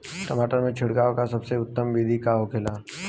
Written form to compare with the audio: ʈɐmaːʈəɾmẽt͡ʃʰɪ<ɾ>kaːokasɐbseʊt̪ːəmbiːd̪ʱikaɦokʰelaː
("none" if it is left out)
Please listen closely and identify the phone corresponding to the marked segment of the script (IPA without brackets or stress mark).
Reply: ɽ